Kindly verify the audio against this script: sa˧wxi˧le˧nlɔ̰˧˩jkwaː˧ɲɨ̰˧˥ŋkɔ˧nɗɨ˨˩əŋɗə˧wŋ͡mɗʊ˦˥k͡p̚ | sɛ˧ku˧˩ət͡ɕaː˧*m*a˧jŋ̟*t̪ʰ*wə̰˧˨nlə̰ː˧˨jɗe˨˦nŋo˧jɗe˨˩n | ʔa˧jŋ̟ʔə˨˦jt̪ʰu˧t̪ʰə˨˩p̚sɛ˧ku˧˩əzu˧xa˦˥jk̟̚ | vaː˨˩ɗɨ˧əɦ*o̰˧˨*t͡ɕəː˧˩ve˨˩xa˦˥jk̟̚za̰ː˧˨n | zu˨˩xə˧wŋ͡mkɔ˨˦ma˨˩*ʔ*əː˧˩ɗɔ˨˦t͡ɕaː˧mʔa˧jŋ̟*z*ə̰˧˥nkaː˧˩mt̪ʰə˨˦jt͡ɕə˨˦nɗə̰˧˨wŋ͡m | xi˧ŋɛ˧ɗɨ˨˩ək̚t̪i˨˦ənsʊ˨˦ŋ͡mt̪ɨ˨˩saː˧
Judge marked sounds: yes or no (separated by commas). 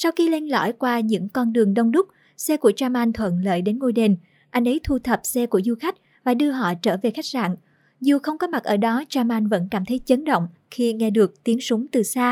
yes, yes, no, yes, no